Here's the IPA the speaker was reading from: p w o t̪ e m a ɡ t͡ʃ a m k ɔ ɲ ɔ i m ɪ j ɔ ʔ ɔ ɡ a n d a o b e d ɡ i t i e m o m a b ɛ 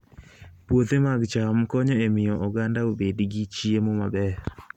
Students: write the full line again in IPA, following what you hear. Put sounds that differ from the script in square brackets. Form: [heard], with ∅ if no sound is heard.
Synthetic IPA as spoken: p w o t̪ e m a ɡ t͡ʃ a m k ɔ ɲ ɔ [e] m ɪ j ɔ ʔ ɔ ɡ a n d a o b e d ɡ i [t͡ʃ] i e m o m a b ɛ